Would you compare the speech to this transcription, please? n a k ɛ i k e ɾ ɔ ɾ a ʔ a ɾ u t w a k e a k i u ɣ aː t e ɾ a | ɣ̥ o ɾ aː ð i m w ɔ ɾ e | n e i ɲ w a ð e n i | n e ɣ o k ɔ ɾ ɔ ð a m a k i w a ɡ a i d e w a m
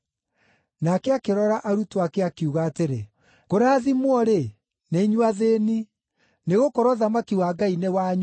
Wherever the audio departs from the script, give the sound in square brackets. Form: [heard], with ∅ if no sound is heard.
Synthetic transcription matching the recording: n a k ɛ [a] k e ɾ ɔ ɾ a ʔ a ɾ u t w a k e a k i u ɣ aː t e ɾ [e] | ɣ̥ o ɾ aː ð i m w ɔ ɾ e | n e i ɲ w a ð e n i | n e ɣ o k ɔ ɾ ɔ ð a m a k i w a ɡ a i [n] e w a [ɲ]